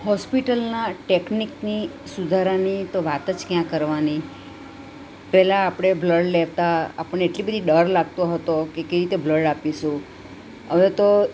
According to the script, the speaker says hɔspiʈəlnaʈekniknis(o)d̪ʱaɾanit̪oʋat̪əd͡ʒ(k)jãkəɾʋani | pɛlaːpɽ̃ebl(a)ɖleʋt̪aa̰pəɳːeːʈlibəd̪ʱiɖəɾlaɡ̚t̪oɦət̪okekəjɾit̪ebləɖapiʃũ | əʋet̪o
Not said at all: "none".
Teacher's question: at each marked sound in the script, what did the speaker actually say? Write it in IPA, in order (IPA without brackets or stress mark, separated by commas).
u, k, ə